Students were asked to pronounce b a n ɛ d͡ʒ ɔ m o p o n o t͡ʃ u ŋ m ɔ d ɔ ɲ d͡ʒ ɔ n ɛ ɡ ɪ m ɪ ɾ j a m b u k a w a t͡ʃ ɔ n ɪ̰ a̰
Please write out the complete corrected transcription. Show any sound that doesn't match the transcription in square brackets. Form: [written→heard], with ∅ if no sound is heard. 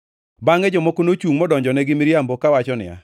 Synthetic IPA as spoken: b a [n→ŋ] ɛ d͡ʒ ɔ m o [p→k] o n o t͡ʃ u ŋ m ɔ d ɔ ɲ d͡ʒ ɔ n ɛ ɡ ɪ m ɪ ɾ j a m b [u→o] k a w a t͡ʃ ɔ n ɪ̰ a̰